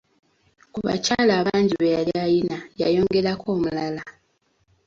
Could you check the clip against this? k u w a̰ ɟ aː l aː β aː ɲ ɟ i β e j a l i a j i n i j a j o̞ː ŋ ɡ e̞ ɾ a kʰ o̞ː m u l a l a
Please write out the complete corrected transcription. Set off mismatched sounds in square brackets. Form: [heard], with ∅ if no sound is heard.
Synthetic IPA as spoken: k u [β] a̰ [c] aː l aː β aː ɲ ɟ i β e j a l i a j i n [a] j a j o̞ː ŋ ɡ e̞ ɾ a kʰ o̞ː m u l a l a